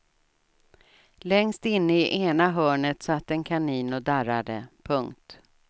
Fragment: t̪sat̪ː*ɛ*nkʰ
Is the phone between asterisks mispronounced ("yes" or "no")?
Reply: no